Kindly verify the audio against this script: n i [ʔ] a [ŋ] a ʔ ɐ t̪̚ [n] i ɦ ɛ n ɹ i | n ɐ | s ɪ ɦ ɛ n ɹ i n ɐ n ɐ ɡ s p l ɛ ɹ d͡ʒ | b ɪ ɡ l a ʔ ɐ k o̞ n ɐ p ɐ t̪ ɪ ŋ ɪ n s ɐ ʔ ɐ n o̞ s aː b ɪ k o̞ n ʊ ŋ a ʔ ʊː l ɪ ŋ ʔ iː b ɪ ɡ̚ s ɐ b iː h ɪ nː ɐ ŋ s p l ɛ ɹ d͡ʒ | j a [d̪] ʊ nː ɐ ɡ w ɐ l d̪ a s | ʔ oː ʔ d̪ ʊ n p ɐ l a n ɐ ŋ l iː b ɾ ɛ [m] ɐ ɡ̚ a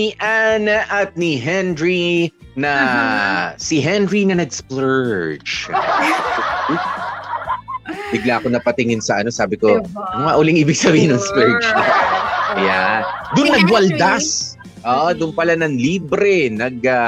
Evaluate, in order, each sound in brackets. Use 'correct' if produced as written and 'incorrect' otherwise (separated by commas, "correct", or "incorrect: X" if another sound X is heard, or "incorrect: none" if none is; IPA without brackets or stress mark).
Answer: correct, incorrect: n, correct, correct, incorrect: n